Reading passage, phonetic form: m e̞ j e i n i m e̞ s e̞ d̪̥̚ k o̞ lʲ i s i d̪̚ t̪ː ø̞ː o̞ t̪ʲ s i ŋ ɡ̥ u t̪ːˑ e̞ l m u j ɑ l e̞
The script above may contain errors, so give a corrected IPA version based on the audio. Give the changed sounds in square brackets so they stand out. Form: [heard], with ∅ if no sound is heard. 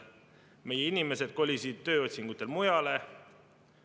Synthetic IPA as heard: m e̞ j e i n i m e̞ s e̞ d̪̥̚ k o̞ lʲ i s i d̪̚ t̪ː ø̞ː o̞ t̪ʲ s i ŋ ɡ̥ u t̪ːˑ e̞ l m u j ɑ l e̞